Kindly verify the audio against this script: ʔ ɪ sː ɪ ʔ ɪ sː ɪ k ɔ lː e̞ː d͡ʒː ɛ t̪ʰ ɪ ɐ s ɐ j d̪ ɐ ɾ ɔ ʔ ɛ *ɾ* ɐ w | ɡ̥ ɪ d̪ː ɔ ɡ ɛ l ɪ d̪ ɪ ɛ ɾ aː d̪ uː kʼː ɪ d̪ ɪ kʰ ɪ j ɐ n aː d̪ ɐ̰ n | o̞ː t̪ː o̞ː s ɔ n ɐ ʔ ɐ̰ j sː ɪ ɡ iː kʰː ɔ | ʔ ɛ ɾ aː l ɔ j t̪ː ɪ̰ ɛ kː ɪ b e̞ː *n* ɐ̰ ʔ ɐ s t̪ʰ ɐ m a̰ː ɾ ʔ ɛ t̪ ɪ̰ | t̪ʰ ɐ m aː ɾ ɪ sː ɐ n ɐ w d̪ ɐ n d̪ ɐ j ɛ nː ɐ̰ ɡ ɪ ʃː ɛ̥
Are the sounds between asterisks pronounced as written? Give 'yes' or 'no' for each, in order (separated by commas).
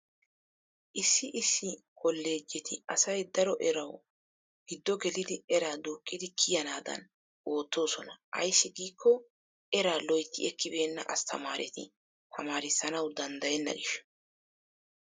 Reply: yes, no